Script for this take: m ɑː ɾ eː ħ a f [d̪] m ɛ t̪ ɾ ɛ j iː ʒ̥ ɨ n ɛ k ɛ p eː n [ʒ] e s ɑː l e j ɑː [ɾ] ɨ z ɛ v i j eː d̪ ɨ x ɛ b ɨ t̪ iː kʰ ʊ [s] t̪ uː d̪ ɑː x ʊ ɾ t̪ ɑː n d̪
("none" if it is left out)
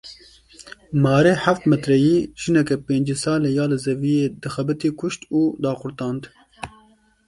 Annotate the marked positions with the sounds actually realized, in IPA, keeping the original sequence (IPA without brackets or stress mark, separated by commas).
t̪, d͡ʒ, l, ʃ